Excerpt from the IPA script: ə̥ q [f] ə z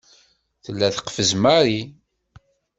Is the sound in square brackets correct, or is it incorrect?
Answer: correct